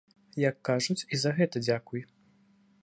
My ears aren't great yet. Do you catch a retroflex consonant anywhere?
yes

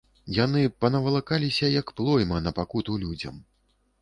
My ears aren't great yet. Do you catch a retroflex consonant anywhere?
no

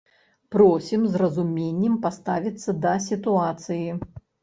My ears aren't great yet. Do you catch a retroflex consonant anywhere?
no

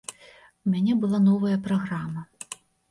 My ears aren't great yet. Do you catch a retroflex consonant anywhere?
no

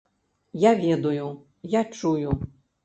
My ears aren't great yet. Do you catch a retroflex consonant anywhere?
yes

